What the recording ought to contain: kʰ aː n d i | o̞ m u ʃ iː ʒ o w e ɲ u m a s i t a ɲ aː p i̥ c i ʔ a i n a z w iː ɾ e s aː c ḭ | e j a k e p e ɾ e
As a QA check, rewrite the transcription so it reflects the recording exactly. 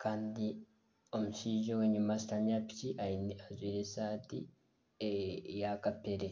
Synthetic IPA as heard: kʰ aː n d i | o̞ m u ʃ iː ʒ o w e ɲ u m a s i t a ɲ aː p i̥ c i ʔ a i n a z w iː ɾ e s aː t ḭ | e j a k a p e ɾ e